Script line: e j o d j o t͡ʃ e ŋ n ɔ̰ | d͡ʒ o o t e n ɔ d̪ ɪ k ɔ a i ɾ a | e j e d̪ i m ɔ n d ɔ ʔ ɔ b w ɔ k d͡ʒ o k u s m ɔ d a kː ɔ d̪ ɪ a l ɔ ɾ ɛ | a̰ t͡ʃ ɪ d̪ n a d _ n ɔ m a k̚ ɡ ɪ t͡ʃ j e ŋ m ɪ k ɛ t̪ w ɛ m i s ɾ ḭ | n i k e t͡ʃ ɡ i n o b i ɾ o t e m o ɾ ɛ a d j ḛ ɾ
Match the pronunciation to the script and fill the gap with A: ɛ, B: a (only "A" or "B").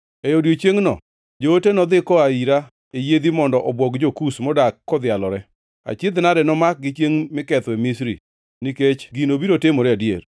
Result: A